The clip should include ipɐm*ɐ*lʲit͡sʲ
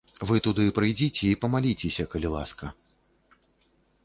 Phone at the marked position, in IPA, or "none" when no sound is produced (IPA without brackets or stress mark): a